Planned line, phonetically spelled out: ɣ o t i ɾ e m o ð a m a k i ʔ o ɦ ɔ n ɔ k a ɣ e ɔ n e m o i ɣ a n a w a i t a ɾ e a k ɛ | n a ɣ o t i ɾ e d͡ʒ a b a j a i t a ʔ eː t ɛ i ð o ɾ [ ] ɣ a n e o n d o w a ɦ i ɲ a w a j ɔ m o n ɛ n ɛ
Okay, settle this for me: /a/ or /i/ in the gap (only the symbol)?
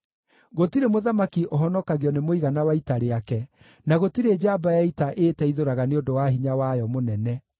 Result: a